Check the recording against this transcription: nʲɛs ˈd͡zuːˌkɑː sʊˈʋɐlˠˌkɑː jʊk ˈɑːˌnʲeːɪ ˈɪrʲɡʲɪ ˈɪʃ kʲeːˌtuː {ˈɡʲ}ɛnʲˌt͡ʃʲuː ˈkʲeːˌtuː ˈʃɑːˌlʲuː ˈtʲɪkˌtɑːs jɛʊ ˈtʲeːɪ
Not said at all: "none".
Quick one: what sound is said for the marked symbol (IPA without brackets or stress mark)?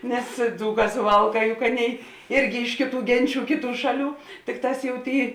ɡʲ